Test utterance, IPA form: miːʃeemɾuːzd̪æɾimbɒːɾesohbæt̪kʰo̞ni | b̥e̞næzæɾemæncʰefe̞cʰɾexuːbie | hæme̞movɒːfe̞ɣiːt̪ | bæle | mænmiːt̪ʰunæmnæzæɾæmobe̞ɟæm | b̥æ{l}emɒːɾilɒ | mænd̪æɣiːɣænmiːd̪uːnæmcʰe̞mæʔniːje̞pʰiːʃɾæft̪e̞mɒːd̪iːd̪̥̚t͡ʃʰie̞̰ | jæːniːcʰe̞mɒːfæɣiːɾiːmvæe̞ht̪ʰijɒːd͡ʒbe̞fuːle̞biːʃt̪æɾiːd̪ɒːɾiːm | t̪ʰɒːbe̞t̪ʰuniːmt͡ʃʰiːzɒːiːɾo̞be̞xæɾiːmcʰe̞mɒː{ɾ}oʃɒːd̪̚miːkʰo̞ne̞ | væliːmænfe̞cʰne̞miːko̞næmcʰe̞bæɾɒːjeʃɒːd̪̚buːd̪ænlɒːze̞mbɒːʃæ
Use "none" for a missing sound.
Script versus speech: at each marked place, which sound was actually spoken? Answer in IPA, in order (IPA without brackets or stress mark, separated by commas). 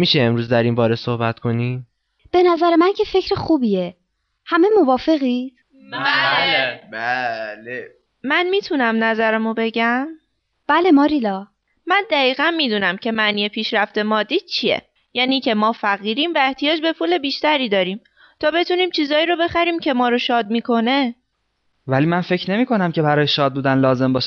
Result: l, ɾ